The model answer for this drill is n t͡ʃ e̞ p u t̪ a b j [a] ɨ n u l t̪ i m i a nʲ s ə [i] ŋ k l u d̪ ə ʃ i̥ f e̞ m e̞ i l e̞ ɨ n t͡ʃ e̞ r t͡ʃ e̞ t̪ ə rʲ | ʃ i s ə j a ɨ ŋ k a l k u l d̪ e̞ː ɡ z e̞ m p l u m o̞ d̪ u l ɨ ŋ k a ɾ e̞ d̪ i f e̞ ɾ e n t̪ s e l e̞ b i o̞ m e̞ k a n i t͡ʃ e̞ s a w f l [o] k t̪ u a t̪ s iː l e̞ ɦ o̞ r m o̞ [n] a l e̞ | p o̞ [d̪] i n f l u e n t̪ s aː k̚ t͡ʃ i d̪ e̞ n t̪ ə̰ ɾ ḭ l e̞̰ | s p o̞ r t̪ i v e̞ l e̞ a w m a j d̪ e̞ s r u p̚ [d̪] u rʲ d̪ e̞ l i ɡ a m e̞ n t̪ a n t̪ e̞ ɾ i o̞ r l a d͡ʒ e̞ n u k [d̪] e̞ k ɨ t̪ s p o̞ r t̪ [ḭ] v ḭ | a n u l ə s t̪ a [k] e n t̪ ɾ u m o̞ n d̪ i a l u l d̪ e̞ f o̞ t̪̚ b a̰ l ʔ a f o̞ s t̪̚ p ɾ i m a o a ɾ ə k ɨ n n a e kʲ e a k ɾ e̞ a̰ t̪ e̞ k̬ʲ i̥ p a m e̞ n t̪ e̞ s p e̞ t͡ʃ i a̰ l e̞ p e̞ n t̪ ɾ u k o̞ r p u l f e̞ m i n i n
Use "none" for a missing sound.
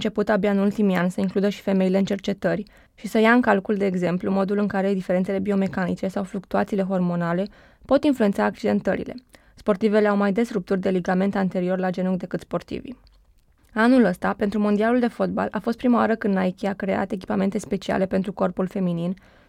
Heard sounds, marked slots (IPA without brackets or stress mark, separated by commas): a, i, u, n, t̪, t̪, d̪, ḭ, p